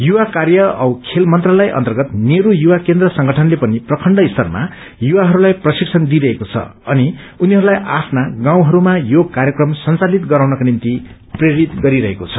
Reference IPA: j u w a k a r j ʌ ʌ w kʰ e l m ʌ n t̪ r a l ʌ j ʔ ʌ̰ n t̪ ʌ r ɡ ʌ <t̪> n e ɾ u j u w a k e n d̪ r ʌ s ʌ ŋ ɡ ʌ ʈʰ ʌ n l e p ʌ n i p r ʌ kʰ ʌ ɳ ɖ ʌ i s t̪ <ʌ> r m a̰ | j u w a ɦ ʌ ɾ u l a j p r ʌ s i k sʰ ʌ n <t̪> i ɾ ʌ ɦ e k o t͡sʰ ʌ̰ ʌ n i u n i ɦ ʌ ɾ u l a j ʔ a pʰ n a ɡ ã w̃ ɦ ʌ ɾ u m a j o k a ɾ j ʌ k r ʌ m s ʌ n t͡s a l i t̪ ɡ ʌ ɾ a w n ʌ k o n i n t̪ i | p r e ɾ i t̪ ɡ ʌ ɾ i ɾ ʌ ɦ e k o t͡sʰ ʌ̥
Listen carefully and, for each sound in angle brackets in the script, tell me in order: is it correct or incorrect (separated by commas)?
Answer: correct, correct, incorrect